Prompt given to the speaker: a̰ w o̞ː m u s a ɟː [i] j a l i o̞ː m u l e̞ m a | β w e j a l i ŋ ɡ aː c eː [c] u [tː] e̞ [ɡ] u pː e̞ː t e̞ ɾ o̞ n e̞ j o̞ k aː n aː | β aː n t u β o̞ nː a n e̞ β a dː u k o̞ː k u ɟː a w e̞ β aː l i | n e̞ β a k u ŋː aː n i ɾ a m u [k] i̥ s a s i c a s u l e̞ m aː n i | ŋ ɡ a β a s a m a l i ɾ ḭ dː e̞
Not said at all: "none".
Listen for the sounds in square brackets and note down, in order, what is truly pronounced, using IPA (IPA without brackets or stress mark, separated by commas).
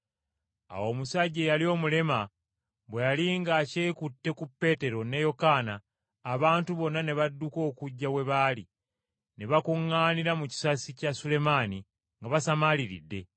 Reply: e, k, tː, k, c